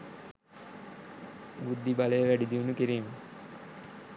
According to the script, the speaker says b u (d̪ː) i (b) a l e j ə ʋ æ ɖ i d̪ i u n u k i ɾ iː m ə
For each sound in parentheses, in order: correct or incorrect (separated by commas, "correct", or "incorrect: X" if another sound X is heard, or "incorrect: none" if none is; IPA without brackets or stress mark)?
correct, correct